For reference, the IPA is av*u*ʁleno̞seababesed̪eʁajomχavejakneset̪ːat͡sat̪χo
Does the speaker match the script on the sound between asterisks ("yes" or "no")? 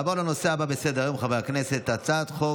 no